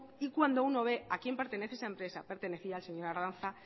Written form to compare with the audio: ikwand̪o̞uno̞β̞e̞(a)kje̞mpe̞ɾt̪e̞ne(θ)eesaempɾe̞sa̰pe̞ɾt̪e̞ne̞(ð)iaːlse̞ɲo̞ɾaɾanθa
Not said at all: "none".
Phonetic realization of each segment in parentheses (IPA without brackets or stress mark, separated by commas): a, θ, θ